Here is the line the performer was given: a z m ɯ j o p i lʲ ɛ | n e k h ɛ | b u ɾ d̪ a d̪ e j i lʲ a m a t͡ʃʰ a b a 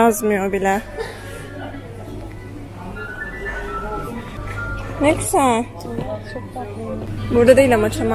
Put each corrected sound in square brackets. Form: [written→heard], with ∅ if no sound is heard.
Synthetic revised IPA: a z m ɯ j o [p→b] i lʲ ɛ | n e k [h→s] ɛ | b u ɾ d̪ a d̪ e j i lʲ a m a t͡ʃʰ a [b→m] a

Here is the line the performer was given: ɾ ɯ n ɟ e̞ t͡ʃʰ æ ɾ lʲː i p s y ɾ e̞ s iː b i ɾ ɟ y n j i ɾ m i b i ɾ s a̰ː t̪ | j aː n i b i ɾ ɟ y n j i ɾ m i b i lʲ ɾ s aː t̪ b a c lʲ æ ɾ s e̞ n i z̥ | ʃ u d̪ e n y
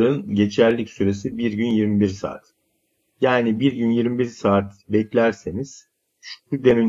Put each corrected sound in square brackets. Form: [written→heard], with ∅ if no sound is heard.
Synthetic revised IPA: ɾ ɯ n ɟ e̞ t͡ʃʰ æ ɾ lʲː i [p→c] s y ɾ e̞ s [iː→i] b i ɾ ɟ y n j i ɾ m i b i ɾ s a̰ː t̪ | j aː n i b i ɾ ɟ y n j i ɾ m i b i [lʲ→∅] ɾ s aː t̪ b [a→ɛ] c lʲ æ ɾ s e̞ n i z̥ | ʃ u d̪ e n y

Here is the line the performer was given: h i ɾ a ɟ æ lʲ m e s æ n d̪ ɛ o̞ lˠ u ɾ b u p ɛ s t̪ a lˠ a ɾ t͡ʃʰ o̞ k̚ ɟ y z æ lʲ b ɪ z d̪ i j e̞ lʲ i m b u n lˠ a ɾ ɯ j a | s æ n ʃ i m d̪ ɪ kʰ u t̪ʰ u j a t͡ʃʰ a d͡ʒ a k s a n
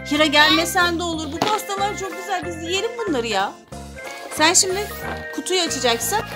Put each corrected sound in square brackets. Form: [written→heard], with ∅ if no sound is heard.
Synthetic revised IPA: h i ɾ a ɟ æ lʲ m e s æ n d̪ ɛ o̞ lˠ u ɾ b u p [ɛ→a] s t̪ a lˠ a ɾ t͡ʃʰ o̞ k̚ ɟ y z æ lʲ b [ɪ→i] z d̪ i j e̞ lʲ i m b u n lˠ a ɾ ɯ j a | s æ n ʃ i m d̪ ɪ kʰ u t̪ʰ u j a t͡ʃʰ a d͡ʒ a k s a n

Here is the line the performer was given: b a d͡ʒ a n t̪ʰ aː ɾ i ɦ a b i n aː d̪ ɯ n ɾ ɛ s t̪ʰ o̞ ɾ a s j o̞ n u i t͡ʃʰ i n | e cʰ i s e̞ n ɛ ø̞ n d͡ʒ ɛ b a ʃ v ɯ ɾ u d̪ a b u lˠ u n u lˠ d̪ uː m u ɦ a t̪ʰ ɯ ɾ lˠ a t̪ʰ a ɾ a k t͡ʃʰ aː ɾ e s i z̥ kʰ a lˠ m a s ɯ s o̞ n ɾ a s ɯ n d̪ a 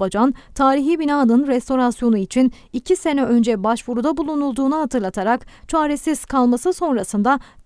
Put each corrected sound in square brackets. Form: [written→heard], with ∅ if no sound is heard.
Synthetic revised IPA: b a d͡ʒ a n t̪ʰ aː ɾ i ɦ [a→i] b i n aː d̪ ɯ n ɾ ɛ s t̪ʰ o̞ ɾ a s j o̞ n u i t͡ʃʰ i n | [e→i] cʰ i s e̞ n ɛ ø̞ n d͡ʒ ɛ b a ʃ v [ɯ→u] ɾ u d̪ a b u lˠ u n u lˠ d̪ uː [m→n] u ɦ a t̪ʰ ɯ ɾ lˠ a t̪ʰ a ɾ a k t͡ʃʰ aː ɾ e s i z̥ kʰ a lˠ m a s ɯ s o̞ n ɾ a s ɯ n d̪ a

